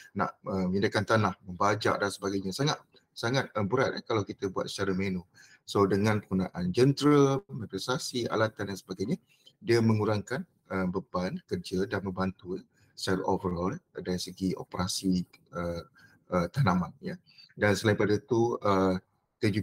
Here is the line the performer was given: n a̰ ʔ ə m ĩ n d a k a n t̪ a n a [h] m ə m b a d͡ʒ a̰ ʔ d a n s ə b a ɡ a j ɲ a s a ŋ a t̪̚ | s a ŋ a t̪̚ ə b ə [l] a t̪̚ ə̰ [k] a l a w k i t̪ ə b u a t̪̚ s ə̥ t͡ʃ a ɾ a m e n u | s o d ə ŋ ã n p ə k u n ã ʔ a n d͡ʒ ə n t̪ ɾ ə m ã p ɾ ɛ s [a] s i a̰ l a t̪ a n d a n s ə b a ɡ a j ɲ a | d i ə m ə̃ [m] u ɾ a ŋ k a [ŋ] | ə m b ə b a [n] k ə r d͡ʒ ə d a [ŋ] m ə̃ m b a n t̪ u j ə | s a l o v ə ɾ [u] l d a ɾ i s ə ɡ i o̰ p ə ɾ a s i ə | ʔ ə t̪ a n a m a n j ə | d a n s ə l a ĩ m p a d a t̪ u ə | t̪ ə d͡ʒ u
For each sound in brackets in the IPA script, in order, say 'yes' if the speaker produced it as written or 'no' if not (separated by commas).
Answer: yes, no, yes, yes, no, no, yes, no, no